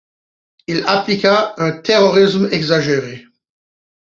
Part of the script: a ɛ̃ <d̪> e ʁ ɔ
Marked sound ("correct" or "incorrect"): incorrect